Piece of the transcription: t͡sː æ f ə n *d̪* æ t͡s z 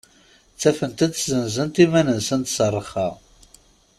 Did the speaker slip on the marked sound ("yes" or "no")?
yes